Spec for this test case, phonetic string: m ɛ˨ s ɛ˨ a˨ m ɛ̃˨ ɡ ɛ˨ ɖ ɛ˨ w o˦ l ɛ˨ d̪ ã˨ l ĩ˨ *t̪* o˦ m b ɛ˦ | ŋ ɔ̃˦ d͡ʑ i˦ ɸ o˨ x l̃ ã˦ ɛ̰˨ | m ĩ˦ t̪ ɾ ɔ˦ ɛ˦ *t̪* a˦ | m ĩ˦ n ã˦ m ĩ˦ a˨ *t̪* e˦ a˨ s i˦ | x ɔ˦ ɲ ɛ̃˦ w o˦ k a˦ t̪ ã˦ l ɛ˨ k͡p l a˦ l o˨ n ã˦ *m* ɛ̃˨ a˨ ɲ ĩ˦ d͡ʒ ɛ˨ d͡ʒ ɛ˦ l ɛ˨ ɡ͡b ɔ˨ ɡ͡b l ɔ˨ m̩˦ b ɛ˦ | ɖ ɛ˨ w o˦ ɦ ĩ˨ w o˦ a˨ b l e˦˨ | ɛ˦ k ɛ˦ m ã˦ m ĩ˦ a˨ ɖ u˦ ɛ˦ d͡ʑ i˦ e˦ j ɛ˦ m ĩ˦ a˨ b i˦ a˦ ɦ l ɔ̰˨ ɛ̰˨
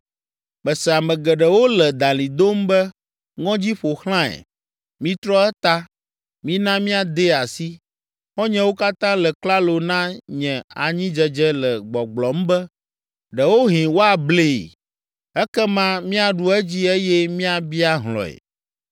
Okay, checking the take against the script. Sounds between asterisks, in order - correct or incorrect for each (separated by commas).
incorrect, correct, incorrect, incorrect